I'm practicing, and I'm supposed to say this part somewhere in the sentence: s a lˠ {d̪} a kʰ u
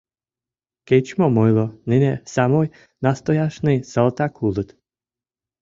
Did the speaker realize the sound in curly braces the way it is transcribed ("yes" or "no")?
no